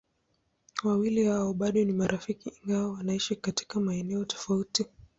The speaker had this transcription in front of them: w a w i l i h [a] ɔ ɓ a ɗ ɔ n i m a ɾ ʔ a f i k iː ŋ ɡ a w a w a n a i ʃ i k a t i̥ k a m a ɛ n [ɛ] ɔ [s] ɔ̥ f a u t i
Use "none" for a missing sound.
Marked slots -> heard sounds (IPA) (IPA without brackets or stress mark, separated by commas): a, ɛ, t